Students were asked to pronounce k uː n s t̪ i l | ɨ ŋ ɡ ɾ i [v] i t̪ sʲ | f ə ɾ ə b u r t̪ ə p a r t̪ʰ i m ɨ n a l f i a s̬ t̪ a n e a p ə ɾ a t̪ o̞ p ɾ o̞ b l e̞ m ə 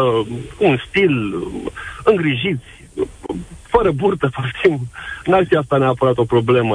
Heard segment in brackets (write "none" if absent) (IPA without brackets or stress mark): ʒ